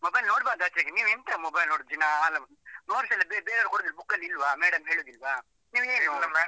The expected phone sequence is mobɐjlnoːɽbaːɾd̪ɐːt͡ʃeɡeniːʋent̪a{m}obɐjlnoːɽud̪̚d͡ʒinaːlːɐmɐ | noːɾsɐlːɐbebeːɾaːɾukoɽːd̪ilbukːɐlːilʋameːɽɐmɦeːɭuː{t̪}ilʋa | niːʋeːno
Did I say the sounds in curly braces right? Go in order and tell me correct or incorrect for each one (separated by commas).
correct, incorrect